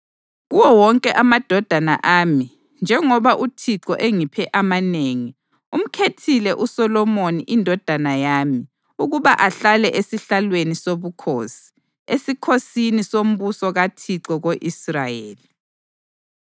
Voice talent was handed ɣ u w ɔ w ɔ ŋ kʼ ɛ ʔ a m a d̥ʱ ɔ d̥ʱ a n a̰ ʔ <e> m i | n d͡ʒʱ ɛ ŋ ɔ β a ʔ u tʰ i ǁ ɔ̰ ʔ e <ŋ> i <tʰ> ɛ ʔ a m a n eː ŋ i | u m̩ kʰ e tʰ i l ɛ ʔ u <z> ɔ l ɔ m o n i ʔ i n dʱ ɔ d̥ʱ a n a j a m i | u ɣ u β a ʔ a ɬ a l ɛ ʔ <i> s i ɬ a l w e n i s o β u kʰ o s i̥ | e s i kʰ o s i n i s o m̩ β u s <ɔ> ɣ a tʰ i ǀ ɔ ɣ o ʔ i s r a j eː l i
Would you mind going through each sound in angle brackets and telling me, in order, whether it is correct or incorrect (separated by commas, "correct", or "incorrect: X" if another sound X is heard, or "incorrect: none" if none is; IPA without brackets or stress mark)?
incorrect: a, correct, incorrect: pʰ, incorrect: s, incorrect: e, correct